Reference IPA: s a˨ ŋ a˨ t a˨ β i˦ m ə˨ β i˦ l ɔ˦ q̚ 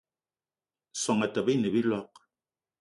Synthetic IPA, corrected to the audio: s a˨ ŋ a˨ t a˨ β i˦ n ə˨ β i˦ l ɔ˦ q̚